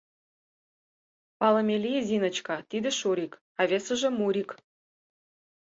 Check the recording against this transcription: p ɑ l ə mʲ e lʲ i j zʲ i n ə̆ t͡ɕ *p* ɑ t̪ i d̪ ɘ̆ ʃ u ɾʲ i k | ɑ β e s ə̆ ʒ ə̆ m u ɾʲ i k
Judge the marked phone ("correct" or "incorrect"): incorrect